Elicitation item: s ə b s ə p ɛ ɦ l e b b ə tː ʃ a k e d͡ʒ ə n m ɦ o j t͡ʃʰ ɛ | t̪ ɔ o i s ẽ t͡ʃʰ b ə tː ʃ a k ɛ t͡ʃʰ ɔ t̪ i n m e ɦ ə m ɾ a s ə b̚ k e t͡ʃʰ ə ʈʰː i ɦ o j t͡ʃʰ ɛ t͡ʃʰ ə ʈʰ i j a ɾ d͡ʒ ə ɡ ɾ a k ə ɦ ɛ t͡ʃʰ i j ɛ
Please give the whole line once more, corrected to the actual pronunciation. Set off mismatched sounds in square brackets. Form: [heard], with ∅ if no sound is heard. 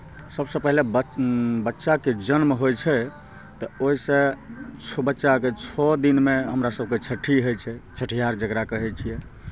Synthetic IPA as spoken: s ə b s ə p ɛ ɦ l e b b ə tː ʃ a k e d͡ʒ ə n m ɦ o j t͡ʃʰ ɛ | t̪ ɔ o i s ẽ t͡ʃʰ b ə tː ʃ a k [e] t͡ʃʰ ɔ [d̪] i n m e ɦ ə m ɾ a s ə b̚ k e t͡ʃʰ ə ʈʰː i ɦ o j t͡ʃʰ ɛ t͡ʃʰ ə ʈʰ i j a ɾ d͡ʒ ə ɡ ɾ a k ə ɦ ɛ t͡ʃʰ i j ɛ

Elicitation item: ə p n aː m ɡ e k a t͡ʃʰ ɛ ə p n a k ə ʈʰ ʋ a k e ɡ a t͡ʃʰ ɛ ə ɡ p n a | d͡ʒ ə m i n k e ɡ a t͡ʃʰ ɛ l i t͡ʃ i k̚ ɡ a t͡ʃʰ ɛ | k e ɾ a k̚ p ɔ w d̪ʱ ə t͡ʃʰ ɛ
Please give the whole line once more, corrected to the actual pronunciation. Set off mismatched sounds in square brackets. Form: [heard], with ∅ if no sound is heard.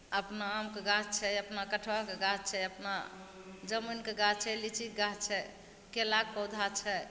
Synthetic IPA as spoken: ə p n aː m [k] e [ɡ] a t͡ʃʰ ɛ ə p n a k ə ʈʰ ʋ a k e ɡ a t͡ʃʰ ɛ ə [∅] p n a | d͡ʒ ə m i n k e ɡ a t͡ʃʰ ɛ l i t͡ʃ i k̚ ɡ a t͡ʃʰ ɛ | k e [l] a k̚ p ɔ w d̪ʱ [a] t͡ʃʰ ɛ

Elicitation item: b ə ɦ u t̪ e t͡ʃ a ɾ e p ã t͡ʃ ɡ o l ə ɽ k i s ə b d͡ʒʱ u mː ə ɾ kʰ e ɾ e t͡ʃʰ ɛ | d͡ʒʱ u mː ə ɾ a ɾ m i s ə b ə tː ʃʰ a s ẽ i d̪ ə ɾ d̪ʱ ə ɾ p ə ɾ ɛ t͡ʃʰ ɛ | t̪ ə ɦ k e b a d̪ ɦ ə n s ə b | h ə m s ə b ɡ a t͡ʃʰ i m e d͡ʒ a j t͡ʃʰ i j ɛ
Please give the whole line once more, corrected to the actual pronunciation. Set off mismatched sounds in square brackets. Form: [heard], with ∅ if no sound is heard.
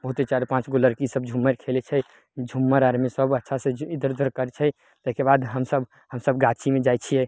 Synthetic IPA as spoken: b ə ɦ u t̪ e t͡ʃ a ɾ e p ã t͡ʃ ɡ o l ə [ɾ] k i s ə b d͡ʒʱ u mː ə ɾ kʰ e [l] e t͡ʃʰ ɛ | d͡ʒʱ u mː ə ɾ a ɾ m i s ə b ə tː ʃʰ a s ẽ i d̪ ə ɾ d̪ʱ ə ɾ [k] ə ɾ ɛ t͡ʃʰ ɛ | t̪ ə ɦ k e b a d̪ ɦ ə [m] s ə b | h ə m s ə b ɡ a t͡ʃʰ i m e d͡ʒ a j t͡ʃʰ i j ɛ

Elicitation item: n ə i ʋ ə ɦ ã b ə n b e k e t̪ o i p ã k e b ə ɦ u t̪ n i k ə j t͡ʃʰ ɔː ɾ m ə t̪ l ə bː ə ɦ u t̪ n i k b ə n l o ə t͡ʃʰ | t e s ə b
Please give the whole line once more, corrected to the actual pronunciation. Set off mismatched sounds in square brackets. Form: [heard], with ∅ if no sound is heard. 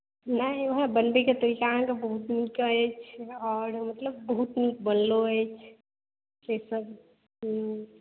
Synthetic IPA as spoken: n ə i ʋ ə ɦ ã b ə n b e k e t̪ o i [k] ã k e b ə ɦ u t̪ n i k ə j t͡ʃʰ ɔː ɾ m ə t̪ l ə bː ə ɦ u t̪ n i k b ə n l o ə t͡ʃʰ | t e s ə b

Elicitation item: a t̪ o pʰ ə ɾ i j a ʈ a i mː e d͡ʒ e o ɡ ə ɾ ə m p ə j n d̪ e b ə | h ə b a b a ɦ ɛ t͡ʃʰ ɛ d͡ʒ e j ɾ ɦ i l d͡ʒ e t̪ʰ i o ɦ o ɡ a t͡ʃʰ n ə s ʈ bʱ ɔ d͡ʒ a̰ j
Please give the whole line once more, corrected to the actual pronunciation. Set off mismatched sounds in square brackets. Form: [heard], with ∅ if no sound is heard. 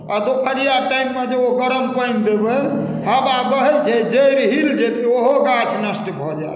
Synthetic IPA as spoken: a [d̪] o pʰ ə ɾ i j a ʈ a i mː e d͡ʒ e o ɡ ə ɾ ə m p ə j n d̪ e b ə | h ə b a b [ə] ɦ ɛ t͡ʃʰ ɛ d͡ʒ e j ɾ ɦ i l d͡ʒ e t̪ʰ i o ɦ o ɡ a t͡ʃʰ n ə s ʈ bʱ ɔ d͡ʒ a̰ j

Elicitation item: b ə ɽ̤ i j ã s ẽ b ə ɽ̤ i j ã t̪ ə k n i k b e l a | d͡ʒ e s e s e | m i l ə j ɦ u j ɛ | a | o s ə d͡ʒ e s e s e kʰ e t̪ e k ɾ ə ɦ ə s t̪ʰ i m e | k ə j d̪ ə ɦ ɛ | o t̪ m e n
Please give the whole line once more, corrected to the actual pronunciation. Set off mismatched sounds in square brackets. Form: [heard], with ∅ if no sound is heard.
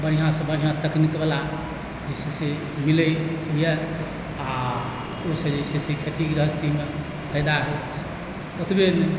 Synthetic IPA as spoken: b ə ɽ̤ i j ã s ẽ b ə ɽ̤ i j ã t̪ ə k n i k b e l a | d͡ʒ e s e s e | m i l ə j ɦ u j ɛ | a | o s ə d͡ʒ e s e s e kʰ e t̪ [i] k ɾ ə ɦ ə s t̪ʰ i m e | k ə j d̪ [a] ɦ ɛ | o t̪ [b] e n

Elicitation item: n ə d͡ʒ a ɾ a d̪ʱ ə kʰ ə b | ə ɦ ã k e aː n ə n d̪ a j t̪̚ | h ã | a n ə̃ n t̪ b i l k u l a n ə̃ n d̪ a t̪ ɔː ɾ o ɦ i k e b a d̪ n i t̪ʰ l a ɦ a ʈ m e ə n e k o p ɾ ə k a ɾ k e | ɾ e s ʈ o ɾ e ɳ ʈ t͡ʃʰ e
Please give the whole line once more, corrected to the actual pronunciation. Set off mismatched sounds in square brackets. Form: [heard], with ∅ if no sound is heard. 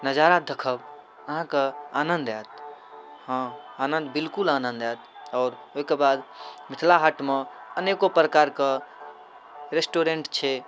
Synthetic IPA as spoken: n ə d͡ʒ a ɾ a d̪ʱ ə kʰ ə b | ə ɦ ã k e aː n ə n d̪ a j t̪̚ | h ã | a n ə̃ n [d̪] b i l k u l a n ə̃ n d̪ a t̪ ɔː ɾ o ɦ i k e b a d̪ [m] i t̪ʰ l a ɦ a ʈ m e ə n e k o p ɾ ə k a ɾ k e | ɾ e s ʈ o ɾ e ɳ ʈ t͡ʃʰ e

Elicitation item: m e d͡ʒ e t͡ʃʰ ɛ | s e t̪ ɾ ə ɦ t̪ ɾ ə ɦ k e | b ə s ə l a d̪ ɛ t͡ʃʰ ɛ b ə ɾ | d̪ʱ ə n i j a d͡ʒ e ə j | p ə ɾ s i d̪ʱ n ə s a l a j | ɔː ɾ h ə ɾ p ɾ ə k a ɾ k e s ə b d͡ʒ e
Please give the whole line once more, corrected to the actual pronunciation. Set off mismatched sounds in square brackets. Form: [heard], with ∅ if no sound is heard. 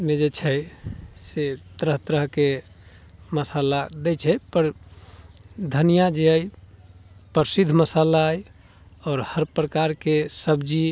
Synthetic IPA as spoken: m e d͡ʒ e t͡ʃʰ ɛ | s e t̪ ɾ ə ɦ t̪ ɾ ə ɦ k e | [m] ə s [a] l a d̪ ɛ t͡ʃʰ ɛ [p] ə ɾ | d̪ʱ ə n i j a d͡ʒ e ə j | p ə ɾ s i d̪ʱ [m] ə s a l a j | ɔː ɾ h ə ɾ p ɾ ə k a ɾ k e s ə b d͡ʒ [i]

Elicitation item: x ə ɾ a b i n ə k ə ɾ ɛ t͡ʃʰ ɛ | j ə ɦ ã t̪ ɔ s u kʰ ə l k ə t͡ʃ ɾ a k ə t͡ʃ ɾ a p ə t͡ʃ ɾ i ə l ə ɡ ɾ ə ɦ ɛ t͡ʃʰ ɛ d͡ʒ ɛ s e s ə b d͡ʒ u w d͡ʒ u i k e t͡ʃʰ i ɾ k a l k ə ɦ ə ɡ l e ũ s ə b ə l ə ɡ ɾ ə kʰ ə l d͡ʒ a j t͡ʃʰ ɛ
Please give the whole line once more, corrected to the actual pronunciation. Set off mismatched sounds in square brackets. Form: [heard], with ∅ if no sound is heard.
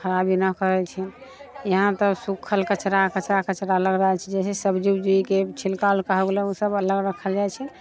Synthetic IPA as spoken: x ə ɾ a b i n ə k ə ɾ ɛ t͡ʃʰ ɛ | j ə ɦ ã t̪ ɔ s u kʰ ə l k ə t͡ʃ ɾ a k ə t͡ʃ ɾ a [k] ə t͡ʃ ɾ [a] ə l ə ɡ ɾ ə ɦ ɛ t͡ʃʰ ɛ d͡ʒ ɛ s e s ə b d͡ʒ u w d͡ʒ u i k e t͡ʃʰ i [l] k a l k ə ɦ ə ɡ l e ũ s ə b ə l ə ɡ ɾ ə kʰ ə l d͡ʒ a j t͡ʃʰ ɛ

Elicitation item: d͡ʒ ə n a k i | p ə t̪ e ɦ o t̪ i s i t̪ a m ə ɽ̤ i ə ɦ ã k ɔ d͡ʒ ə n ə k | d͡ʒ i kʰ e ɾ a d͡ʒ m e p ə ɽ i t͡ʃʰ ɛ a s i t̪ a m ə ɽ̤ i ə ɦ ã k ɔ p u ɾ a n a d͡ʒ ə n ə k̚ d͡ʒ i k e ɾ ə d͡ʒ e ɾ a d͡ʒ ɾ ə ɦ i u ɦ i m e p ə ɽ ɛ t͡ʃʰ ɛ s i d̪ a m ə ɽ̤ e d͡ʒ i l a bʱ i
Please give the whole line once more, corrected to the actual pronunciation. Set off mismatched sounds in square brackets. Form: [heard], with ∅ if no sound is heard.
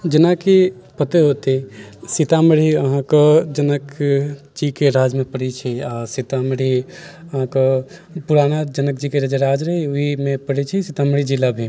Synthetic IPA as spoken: d͡ʒ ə n a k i | p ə t̪ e ɦ o t̪ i s i t̪ a m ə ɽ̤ i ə ɦ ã k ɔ d͡ʒ ə n ə k | d͡ʒ i [k] e ɾ a d͡ʒ m e p ə ɽ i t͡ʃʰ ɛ a s i t̪ a m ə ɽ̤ i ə ɦ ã k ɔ p u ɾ a n a d͡ʒ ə n ə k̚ d͡ʒ i k e ɾ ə d͡ʒ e ɾ a d͡ʒ ɾ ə ɦ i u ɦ i m e p ə ɽ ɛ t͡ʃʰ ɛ s i [t̪] a m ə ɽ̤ [i] d͡ʒ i l a bʱ i

